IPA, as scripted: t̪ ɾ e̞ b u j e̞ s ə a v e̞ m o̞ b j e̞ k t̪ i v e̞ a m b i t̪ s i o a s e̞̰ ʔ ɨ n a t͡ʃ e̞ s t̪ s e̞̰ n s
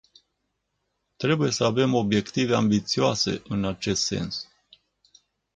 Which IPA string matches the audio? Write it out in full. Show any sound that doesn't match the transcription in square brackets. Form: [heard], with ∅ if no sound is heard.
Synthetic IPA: t̪ ɾ e̞ b u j e̞ s ə a v e̞ m o̞ b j e̞ k t̪ i v e̞ a m b i t̪ s i o a s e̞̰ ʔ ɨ n a t͡ʃ e̞ s t̪ s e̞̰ n s